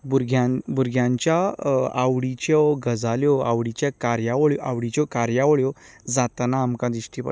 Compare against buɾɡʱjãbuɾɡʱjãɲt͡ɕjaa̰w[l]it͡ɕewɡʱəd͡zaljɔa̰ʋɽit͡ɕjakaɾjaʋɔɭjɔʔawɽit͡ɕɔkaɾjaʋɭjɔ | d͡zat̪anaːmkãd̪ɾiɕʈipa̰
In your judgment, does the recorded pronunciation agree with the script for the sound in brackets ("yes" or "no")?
no